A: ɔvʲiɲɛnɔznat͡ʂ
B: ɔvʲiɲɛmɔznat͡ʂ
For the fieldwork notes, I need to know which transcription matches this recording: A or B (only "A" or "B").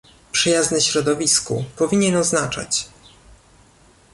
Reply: A